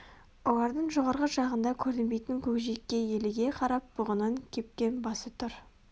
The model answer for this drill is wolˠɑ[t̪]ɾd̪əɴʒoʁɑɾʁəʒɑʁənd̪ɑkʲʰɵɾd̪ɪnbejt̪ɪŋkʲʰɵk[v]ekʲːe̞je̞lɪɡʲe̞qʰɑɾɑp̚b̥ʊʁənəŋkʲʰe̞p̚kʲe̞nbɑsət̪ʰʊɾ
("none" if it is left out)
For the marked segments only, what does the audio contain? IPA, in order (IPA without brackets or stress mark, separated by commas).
none, ʒ